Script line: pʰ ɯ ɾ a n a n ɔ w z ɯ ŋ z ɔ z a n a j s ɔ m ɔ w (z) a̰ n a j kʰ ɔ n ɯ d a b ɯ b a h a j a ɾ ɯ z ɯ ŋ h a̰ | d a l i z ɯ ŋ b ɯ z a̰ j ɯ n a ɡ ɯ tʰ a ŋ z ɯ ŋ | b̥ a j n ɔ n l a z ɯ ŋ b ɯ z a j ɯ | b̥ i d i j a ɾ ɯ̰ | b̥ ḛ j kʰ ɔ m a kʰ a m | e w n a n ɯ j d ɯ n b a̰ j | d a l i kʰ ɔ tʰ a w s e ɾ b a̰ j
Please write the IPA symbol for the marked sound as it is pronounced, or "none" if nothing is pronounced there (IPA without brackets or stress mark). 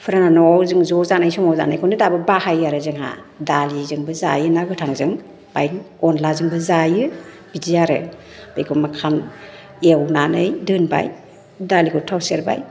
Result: z